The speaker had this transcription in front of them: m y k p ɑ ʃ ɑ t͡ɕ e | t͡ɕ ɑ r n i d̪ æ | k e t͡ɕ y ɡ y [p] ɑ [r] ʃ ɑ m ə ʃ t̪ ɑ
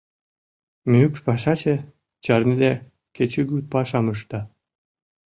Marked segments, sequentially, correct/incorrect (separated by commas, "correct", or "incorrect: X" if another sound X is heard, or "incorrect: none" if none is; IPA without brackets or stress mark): correct, incorrect: none